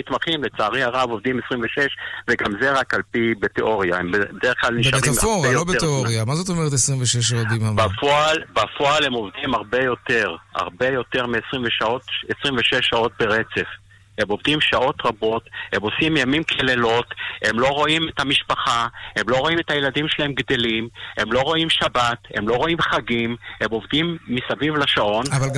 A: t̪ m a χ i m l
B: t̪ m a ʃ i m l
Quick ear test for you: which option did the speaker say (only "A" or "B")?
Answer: A